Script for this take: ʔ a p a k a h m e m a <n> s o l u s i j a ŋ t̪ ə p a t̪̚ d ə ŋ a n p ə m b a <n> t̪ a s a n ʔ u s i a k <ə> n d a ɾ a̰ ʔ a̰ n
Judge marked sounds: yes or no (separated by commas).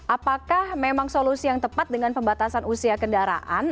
no, no, yes